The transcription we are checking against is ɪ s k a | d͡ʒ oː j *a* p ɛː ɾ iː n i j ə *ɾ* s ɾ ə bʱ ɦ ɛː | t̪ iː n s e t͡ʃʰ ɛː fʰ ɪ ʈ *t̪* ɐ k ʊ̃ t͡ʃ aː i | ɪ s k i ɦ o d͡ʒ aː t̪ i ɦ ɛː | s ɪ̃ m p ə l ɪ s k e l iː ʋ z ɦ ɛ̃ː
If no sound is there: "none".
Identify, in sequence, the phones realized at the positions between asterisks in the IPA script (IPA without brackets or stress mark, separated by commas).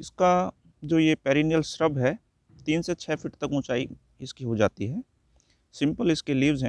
e, l, t̪